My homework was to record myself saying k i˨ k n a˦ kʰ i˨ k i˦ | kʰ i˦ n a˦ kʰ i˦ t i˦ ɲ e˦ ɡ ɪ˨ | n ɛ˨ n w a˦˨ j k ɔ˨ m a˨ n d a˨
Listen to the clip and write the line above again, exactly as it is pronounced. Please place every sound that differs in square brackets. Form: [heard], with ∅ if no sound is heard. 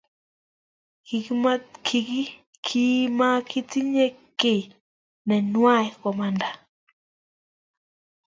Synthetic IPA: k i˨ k [m] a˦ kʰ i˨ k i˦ | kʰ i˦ [m] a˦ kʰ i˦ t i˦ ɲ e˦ [k] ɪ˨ | n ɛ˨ n w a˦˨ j k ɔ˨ m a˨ n d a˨